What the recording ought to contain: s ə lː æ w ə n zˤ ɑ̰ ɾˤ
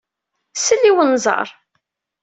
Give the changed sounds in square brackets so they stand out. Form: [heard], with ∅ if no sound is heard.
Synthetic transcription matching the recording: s ə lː [i] w ə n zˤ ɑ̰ ɾˤ